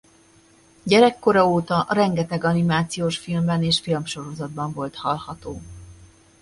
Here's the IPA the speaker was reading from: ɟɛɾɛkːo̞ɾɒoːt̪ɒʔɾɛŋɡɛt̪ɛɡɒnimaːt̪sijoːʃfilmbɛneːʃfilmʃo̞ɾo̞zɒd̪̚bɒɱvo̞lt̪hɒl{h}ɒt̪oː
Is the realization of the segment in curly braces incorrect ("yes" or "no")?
no